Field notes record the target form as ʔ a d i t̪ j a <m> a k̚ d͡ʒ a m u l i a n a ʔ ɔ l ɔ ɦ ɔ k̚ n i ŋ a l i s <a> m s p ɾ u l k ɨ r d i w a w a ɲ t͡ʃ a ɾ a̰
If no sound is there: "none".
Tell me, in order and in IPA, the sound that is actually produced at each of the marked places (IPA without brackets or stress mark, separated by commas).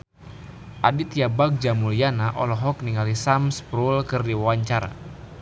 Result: b, a